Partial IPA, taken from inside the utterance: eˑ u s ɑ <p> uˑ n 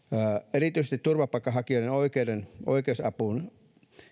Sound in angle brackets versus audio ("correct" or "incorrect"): correct